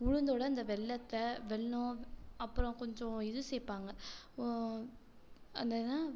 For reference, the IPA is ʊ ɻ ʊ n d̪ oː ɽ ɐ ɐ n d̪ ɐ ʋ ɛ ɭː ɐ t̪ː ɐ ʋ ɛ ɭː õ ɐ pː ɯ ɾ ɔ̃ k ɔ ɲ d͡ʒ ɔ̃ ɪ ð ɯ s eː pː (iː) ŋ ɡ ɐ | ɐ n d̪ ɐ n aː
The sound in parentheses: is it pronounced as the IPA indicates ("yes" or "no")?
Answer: no